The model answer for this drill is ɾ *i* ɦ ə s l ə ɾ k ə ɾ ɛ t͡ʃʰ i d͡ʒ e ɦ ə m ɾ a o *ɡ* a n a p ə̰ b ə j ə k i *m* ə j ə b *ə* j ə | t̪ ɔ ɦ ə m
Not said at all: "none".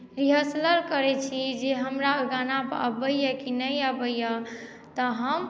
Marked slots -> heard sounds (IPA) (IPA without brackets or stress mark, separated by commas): i, ɡ, n, ə